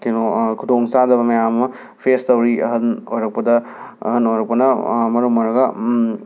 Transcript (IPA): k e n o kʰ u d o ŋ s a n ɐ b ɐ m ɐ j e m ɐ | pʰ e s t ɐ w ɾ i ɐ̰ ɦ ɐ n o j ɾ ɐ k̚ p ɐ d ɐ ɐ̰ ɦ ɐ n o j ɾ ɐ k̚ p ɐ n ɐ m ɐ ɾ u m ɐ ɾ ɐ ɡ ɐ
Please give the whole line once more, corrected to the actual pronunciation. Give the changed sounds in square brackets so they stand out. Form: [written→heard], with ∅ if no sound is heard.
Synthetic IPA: k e n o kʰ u d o ŋ s a [n→d] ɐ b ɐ m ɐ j [e→a] m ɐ | pʰ e s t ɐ w ɾ i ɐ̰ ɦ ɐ n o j ɾ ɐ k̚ p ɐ d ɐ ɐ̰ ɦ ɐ n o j ɾ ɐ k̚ p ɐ n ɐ m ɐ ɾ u m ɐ ɾ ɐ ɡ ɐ